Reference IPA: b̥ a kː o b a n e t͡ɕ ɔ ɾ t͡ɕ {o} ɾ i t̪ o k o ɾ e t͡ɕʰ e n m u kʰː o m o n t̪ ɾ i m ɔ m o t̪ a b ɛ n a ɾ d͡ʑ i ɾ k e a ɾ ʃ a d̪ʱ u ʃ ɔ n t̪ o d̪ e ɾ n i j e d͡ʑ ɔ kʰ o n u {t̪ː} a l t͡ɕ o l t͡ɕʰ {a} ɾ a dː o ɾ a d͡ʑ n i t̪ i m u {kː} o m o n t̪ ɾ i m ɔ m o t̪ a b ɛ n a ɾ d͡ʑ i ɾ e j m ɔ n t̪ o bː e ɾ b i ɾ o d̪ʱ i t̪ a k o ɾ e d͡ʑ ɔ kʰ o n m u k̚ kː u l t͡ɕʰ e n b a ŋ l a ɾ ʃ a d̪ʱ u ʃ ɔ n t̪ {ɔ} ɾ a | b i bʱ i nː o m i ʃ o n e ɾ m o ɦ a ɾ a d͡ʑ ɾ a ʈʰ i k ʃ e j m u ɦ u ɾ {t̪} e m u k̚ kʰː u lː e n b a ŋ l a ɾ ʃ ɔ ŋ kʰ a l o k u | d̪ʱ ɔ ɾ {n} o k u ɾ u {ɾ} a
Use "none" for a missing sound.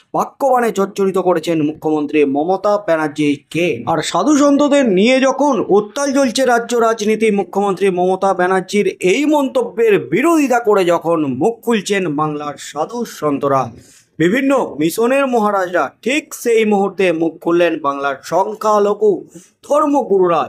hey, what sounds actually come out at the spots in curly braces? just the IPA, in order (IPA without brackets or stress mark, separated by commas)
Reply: o, t̪ː, e, kʰː, o, t̪, m, ɾ